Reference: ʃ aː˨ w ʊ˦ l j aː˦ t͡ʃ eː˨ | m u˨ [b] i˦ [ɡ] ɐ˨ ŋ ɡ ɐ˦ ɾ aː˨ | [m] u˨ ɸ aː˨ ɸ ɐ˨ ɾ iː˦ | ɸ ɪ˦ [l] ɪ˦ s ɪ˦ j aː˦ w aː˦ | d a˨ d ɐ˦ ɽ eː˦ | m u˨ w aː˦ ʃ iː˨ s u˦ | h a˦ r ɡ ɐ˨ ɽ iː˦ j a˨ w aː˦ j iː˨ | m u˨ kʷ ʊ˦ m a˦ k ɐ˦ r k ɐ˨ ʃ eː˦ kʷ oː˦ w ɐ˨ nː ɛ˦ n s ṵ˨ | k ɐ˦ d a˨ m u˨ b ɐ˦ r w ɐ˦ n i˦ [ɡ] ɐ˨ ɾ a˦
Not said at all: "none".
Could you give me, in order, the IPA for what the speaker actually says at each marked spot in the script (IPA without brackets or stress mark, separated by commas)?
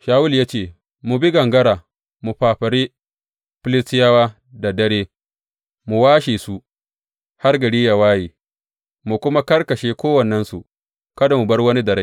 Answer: b, ɡ, m, l, d